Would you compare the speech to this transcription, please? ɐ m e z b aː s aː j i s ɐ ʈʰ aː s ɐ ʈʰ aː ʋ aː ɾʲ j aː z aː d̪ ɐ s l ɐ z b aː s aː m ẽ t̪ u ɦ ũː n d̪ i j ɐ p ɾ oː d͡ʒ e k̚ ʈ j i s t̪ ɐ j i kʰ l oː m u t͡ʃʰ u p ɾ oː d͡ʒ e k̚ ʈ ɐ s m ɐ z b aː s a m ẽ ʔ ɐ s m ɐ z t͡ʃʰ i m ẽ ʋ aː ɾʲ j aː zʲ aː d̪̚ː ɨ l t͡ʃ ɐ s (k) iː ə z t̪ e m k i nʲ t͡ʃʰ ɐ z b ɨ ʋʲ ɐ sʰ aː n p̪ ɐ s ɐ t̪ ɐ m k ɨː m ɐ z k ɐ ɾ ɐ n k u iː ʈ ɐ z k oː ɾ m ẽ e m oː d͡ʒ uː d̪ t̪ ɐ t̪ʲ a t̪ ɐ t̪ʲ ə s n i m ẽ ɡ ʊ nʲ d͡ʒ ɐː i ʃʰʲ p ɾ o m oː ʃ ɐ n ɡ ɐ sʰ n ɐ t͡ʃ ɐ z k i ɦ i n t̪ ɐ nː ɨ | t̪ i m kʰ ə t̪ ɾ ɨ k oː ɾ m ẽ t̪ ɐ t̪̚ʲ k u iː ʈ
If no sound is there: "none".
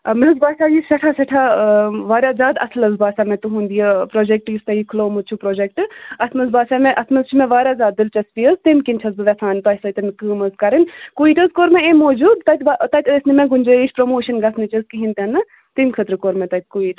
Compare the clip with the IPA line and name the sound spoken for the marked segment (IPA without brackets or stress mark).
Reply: p